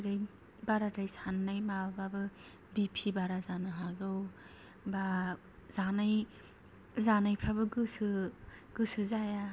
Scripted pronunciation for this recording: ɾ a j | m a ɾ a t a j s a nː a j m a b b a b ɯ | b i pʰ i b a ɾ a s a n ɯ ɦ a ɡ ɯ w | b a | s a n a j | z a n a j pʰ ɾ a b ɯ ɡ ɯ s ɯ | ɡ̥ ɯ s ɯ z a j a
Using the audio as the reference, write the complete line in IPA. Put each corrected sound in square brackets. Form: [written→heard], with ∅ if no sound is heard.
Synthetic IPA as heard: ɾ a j | [m→b] a ɾ a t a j s a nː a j m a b b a b ɯ | b i pʰ i b a ɾ a [s→z] a n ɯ ɦ a ɡ ɯ w | b a | [s→z] a n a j | z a n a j pʰ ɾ a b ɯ ɡ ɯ s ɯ | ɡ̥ ɯ s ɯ z a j a